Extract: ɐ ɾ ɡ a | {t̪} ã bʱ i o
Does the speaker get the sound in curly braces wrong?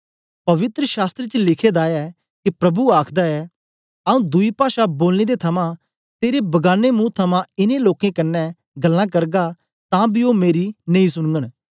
no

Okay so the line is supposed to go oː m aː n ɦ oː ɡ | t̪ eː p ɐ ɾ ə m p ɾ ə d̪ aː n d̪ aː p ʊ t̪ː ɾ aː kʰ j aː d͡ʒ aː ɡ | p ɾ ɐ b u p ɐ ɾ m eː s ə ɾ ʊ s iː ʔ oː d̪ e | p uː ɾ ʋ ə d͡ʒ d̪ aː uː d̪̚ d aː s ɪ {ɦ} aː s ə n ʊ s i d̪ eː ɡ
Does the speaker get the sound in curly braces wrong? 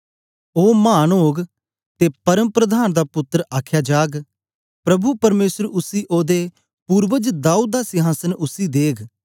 no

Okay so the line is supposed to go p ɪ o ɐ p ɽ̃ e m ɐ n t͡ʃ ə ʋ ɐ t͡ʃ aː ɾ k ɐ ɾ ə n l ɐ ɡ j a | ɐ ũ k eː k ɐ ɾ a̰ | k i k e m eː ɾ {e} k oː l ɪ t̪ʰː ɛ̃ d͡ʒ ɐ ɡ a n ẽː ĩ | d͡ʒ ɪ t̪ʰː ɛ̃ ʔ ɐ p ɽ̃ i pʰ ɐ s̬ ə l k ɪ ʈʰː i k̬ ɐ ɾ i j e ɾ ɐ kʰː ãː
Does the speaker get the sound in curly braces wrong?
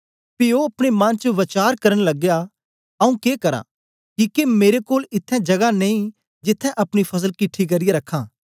no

